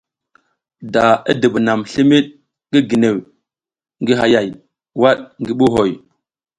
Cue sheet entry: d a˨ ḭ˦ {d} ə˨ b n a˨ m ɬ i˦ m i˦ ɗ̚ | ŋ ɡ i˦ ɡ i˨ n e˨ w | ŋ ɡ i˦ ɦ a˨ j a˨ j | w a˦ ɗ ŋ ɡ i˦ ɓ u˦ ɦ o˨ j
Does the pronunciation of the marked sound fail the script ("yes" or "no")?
no